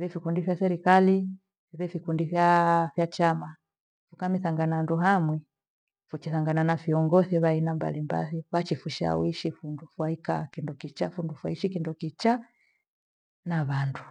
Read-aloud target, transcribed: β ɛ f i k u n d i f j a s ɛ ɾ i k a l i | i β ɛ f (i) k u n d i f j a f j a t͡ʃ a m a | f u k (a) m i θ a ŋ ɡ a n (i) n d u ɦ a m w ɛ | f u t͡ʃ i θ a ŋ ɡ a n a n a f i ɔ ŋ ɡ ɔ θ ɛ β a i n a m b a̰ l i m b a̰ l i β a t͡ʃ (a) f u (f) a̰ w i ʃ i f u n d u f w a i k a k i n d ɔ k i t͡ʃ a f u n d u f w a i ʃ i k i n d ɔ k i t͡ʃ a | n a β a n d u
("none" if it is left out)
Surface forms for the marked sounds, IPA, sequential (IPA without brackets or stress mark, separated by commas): i, a, a, i, ʃ